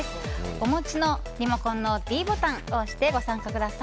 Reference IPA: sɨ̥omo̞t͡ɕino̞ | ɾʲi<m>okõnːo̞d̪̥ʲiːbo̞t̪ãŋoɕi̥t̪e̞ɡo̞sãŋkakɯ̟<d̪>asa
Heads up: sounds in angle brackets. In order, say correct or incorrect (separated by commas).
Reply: correct, correct